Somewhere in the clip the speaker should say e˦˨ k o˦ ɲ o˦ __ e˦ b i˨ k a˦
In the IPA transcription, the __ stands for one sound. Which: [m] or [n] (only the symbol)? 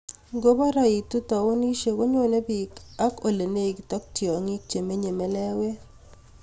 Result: n